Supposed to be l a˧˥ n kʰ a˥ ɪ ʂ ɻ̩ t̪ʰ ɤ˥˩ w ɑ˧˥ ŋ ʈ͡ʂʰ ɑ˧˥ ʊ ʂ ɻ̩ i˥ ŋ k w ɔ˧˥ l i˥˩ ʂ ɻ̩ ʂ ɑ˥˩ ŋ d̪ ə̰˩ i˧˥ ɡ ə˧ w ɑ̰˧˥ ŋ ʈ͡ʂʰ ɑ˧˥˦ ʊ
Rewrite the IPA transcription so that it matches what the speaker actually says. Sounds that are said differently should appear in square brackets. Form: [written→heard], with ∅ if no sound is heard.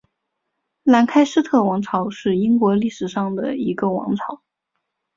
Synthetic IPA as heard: l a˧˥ n kʰ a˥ ɪ ʂ ɻ̩ t̪ʰ ɤ˥˩ w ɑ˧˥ ŋ ʈ͡ʂʰ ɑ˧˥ ʊ ʂ ɻ̩ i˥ ŋ k w ɔ˧˥ l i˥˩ ʂ ɻ̩ ʂ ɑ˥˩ ŋ d̪ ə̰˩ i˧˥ ɡ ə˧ w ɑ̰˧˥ ŋ ʈ͡ʂʰ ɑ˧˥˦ ʊ